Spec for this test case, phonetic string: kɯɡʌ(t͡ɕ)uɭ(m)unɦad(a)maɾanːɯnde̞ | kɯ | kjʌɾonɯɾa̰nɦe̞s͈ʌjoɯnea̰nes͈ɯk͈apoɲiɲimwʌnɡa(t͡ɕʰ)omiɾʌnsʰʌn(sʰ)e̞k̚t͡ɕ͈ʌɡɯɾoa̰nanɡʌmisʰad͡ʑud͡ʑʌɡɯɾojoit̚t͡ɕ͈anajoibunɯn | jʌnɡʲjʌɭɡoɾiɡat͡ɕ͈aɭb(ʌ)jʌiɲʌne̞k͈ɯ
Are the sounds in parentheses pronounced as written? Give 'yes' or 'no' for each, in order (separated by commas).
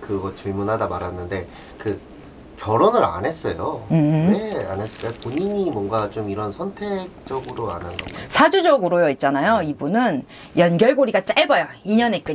yes, yes, yes, no, no, yes